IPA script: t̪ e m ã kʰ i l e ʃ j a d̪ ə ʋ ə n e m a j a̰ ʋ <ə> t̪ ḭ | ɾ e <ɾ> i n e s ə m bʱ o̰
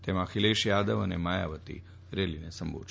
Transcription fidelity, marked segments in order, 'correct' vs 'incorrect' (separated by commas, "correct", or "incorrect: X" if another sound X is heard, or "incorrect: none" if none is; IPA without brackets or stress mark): correct, incorrect: l